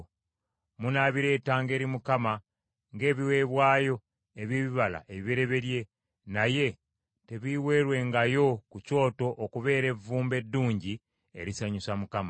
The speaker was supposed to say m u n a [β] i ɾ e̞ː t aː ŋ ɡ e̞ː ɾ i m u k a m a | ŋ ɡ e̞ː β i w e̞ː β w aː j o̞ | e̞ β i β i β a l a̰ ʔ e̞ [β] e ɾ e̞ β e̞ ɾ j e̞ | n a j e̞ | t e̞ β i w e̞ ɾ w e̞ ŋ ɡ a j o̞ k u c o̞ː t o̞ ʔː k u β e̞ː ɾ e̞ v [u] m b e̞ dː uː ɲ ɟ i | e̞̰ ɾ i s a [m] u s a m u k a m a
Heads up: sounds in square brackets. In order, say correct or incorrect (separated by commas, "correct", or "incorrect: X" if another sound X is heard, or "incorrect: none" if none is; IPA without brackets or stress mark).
correct, correct, incorrect: uː, incorrect: ɲ